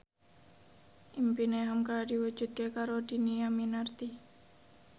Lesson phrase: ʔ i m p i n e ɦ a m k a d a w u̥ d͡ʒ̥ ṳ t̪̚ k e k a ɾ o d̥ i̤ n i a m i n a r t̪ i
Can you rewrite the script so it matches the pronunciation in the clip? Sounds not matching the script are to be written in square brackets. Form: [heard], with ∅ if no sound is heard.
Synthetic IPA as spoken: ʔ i m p i n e ɦ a m k a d [i] w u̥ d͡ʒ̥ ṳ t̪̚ k e k a ɾ o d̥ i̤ n i a m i n a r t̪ i